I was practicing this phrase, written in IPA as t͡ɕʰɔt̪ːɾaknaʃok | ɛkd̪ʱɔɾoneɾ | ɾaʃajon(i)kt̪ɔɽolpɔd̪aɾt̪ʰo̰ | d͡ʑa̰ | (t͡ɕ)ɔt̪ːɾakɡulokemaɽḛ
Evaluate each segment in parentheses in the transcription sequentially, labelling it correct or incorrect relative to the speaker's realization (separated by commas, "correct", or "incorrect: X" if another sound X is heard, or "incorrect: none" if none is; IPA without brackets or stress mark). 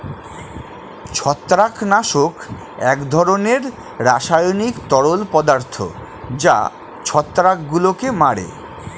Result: correct, incorrect: t͡ɕʰ